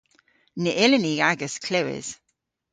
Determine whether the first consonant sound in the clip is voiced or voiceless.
voiced